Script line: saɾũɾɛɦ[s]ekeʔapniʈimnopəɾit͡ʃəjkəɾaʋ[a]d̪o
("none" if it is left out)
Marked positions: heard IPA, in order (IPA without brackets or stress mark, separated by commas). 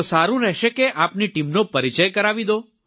ʃ, i